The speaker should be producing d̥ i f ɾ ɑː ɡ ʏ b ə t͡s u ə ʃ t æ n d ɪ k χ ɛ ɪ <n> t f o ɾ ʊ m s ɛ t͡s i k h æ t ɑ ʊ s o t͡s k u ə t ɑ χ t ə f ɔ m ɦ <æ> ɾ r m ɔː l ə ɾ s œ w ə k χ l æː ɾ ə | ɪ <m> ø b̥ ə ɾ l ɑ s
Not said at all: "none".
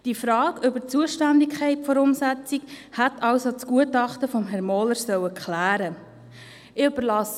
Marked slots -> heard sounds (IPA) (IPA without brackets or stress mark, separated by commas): none, ɛ, none